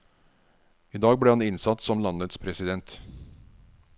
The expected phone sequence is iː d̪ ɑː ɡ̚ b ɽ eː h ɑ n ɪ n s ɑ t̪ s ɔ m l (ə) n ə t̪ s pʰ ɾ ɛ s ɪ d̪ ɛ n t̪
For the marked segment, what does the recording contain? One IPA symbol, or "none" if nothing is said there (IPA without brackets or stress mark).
ɑ